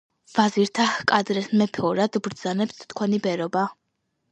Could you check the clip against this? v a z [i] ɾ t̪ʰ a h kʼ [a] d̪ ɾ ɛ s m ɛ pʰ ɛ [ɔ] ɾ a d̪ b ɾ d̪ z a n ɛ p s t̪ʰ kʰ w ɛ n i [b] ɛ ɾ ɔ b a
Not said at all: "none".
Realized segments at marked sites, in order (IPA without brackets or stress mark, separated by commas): i, a, ɔ, b